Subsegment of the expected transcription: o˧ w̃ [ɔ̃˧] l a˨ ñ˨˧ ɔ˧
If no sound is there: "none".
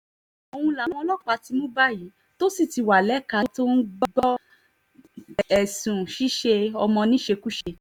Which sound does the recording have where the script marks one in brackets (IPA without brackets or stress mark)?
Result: ũ˧